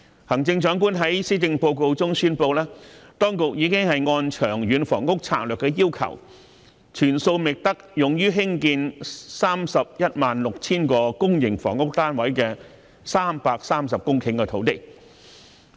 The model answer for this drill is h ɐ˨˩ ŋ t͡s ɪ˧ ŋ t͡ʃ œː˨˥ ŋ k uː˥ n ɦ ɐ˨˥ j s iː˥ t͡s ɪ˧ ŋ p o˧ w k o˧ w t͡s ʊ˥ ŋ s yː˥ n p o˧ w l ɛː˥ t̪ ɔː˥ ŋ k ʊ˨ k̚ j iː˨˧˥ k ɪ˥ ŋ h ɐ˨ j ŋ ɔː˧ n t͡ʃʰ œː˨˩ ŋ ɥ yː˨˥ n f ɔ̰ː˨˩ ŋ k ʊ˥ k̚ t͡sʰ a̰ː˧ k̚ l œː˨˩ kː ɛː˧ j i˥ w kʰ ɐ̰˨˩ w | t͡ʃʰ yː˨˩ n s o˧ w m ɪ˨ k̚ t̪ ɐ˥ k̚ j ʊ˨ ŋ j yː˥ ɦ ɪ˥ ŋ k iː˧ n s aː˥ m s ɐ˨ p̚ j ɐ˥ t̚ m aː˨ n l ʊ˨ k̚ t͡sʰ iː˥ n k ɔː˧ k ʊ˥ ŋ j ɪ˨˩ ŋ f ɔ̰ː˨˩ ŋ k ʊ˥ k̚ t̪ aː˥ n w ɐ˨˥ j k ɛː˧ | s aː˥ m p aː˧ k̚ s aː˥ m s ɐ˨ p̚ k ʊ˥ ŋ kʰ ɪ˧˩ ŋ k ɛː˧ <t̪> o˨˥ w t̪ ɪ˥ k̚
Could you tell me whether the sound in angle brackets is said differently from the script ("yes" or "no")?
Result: yes